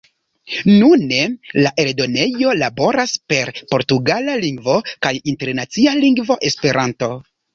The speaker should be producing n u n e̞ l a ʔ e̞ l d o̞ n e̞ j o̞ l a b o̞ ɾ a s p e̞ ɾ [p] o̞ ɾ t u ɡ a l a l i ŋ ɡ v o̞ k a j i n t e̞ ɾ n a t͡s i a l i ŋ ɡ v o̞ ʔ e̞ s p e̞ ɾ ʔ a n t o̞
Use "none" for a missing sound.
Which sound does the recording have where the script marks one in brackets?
p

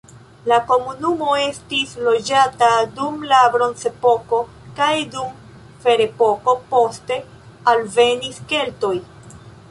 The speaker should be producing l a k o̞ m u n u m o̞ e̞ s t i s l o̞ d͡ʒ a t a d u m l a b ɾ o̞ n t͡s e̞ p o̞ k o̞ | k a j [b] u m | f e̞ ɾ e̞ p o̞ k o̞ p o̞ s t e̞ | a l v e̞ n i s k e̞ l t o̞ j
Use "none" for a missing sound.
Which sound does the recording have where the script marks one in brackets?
d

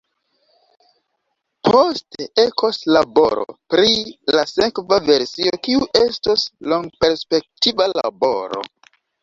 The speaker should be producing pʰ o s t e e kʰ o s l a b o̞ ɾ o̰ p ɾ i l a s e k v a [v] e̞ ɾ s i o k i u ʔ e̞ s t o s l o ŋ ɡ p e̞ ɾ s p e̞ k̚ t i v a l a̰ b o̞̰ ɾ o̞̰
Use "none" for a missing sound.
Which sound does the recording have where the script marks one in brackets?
v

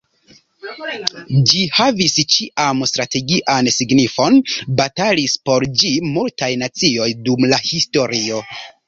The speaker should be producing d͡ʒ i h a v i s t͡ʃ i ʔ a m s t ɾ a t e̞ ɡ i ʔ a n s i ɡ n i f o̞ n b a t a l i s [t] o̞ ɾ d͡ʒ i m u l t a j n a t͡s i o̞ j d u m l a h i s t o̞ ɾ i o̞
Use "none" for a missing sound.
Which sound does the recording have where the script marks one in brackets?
p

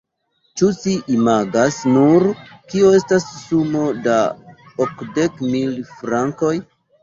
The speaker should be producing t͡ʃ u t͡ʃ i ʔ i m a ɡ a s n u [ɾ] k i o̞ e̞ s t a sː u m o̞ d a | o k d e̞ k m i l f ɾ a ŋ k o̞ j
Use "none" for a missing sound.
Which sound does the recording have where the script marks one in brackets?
ɾ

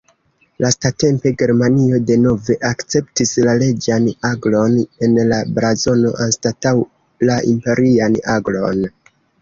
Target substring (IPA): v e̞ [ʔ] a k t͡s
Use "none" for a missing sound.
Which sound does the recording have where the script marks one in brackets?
ʔ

